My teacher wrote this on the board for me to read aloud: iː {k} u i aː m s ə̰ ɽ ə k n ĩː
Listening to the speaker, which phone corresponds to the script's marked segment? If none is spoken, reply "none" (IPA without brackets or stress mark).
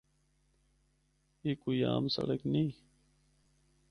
k